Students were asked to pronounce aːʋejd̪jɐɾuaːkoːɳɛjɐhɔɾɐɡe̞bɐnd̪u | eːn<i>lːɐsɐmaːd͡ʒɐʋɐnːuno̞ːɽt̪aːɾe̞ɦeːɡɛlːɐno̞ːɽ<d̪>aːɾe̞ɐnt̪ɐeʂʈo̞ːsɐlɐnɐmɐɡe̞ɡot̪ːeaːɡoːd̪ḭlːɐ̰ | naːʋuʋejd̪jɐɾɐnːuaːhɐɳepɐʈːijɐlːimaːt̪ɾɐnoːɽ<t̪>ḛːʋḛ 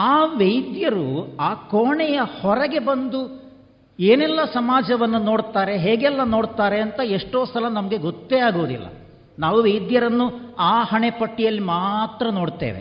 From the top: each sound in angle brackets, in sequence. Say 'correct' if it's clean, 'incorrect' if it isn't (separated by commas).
incorrect, incorrect, correct